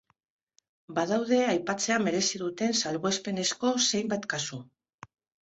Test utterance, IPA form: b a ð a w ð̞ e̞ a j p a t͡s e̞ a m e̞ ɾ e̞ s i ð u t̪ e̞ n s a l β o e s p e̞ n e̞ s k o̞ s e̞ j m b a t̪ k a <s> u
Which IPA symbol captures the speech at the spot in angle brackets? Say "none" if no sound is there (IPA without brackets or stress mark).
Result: s